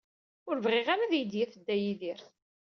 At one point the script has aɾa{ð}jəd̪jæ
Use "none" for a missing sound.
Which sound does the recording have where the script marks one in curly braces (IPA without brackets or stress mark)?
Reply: ð